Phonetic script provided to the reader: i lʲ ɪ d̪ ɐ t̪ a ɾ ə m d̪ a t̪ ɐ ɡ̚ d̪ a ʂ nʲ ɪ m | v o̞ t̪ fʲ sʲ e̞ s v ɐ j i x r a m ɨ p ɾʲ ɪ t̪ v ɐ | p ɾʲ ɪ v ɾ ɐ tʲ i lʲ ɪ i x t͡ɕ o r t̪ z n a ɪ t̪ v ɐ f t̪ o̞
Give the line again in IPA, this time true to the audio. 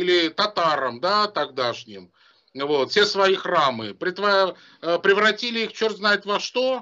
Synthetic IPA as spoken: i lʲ ɪ t̪ ɐ t̪ a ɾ ə m d̪ a t̪ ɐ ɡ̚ d̪ a ʂ nʲ ɪ m | v o̞ t̪ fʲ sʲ e̞ s v ɐ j i x r a m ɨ p ɾʲ ɪ t̪ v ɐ | p ɾʲ ɪ v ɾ ɐ tʲ i lʲ ɪ i x t͡ɕ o r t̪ z n a ɪ t̪ v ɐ ʂ t̪ o̞